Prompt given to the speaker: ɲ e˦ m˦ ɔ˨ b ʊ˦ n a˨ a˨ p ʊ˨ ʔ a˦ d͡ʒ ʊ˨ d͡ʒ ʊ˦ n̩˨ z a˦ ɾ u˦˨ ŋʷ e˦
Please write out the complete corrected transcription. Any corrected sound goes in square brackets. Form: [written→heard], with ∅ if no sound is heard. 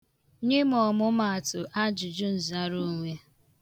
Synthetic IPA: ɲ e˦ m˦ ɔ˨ [b→m] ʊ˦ [n→m] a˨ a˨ [p→t] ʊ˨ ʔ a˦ d͡ʒ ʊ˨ d͡ʒ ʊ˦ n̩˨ z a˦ ɾ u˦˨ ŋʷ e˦